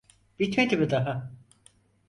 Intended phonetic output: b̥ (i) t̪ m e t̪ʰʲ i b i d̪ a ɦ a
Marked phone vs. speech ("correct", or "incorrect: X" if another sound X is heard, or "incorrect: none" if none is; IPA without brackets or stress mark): correct